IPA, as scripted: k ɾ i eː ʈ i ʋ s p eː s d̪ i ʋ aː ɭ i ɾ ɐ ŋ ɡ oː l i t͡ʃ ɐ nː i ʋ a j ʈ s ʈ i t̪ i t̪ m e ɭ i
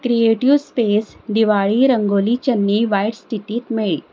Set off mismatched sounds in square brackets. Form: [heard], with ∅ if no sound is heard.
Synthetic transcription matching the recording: k ɾ i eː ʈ i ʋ s p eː s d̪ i ʋ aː ɭ i ɾ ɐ ŋ ɡ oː l i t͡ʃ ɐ nː i ʋ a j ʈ s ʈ i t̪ i t̪ m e ɭ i